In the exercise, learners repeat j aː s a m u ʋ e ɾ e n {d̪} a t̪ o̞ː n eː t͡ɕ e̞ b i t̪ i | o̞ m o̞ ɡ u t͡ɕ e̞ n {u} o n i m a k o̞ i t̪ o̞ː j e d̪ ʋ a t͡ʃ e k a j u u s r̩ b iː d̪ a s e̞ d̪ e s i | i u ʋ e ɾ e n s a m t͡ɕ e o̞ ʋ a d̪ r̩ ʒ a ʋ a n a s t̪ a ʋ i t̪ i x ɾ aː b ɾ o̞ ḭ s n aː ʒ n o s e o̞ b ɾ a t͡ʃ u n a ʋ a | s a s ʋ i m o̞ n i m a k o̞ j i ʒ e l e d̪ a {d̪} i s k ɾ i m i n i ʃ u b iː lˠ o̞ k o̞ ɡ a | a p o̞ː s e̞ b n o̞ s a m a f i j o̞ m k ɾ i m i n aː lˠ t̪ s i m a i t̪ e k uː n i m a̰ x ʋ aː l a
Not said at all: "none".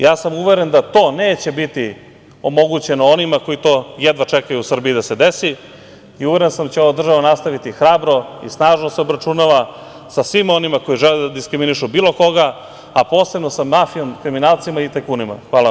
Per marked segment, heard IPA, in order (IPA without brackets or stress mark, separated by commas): d̪, o, d̪